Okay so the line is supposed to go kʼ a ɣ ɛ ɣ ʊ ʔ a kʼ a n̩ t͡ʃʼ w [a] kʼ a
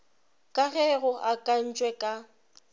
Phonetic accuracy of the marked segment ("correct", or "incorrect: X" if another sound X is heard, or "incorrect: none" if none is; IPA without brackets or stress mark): incorrect: ɛ